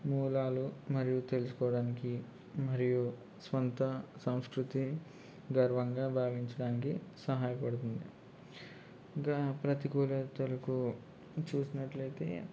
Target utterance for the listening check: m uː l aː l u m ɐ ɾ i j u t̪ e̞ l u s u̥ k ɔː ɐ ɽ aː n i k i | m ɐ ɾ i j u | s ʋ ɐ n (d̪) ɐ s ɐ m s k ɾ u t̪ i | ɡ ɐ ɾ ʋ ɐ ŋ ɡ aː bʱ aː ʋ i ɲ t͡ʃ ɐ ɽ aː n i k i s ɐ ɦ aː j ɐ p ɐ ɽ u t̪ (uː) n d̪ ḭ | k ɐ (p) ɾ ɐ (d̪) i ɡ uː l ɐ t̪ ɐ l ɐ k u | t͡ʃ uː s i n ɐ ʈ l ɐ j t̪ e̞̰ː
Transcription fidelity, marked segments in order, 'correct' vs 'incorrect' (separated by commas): incorrect, incorrect, correct, incorrect